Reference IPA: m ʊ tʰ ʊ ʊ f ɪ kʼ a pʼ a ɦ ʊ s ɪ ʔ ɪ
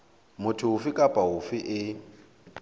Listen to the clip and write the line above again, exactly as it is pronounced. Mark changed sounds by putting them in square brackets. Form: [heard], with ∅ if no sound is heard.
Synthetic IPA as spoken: m ʊ tʰ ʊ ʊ f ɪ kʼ a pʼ a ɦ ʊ [f] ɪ ʔ ɪ